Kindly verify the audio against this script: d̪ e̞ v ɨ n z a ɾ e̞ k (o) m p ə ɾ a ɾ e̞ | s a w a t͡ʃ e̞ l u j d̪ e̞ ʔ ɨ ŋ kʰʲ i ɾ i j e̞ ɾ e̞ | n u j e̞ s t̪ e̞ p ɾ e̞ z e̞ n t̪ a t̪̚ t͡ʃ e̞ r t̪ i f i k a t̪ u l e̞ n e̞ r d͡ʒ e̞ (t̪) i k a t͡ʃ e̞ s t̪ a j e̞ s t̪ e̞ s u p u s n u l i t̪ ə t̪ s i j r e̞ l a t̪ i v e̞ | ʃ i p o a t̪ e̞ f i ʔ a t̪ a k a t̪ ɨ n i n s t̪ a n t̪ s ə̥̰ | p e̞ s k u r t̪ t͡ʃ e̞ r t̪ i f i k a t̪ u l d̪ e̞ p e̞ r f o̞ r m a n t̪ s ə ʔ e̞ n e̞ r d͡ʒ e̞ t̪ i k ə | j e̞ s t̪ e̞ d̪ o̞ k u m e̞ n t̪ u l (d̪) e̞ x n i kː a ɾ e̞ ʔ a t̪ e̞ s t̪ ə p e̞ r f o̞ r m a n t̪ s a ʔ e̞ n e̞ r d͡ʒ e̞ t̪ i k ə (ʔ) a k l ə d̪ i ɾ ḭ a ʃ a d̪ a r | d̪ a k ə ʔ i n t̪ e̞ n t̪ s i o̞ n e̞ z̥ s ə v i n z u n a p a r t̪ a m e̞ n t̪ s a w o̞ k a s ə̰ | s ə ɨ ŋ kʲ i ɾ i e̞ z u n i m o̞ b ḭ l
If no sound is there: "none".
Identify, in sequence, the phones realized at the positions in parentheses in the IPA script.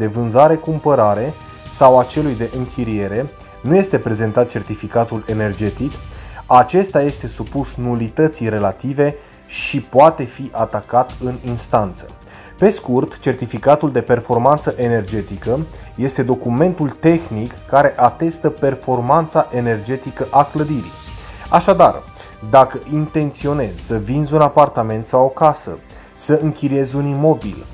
u, t̪, t̪, ʔ

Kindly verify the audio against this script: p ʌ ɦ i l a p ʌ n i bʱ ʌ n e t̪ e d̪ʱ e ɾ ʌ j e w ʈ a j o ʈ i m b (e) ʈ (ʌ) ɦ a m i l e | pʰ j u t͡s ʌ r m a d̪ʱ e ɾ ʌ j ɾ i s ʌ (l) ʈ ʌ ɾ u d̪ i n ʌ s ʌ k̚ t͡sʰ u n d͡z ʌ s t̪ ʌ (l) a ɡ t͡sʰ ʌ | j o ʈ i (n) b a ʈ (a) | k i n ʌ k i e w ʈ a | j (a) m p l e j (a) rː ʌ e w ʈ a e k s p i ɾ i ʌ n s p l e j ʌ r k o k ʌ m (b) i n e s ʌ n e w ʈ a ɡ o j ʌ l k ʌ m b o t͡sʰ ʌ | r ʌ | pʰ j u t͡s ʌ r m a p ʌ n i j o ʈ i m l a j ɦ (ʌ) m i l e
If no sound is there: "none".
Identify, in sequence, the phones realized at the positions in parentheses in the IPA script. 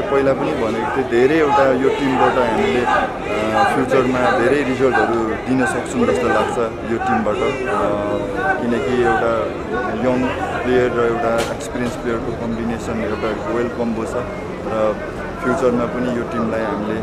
a, ʌ, l, l, m, ʌ, ʌ, ʌ, b, a

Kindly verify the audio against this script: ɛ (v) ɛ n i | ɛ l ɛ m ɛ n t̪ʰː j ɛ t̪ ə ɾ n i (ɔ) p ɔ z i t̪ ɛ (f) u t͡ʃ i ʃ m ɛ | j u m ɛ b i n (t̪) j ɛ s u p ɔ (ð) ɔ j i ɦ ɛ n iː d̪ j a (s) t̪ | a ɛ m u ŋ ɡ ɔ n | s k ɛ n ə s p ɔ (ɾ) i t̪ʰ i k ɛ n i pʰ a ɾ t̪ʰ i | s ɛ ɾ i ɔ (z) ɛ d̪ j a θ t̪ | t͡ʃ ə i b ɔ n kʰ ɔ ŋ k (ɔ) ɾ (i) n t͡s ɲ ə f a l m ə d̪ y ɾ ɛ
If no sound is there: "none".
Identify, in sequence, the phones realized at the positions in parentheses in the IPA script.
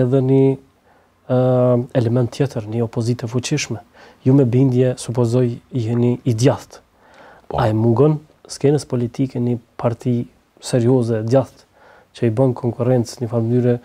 ð, ɔ, f, d̪, z, θ, l, z, u, ɛ

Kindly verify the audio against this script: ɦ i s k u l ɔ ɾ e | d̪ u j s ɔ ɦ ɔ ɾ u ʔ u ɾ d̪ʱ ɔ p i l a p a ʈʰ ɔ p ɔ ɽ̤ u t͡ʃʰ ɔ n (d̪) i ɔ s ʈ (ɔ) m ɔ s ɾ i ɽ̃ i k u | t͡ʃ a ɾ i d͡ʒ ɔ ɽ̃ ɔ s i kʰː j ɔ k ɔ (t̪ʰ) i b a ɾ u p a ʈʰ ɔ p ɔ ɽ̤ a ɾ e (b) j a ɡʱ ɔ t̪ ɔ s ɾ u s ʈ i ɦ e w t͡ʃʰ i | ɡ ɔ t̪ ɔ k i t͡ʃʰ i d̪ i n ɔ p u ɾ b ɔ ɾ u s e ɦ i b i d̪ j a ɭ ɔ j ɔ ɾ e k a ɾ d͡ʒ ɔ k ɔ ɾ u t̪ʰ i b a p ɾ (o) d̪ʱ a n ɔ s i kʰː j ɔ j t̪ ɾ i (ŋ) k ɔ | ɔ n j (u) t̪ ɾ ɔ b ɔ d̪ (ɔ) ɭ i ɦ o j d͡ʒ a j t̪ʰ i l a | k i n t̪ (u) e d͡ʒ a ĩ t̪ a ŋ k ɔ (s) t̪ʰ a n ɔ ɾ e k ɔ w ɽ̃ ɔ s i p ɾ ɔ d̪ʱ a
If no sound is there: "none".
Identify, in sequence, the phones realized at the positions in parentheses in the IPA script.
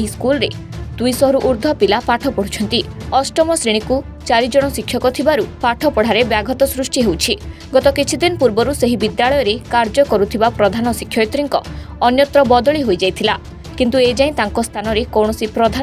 t̪, ɔ, t̪ʰ, b, ɔ, ŋ, ɔ, ɔ, u, s

